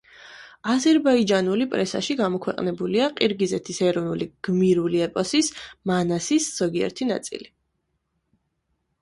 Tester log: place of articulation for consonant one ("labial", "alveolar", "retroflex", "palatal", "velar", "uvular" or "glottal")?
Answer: alveolar